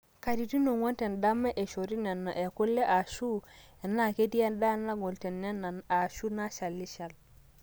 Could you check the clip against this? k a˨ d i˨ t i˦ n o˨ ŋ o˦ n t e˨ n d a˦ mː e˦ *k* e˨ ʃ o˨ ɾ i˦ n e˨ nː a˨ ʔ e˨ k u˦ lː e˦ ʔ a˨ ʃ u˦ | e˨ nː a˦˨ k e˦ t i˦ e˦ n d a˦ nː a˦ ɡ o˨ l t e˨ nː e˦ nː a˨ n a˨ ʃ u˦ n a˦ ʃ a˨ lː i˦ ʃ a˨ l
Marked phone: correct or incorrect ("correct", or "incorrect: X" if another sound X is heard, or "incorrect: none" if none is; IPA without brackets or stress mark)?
incorrect: ʔ